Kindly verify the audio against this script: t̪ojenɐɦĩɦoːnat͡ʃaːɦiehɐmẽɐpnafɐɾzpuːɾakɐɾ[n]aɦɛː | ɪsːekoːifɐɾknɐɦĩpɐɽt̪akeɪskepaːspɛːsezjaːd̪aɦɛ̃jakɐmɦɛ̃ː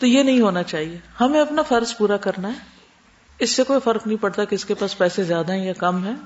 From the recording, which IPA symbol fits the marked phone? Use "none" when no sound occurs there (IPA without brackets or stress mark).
n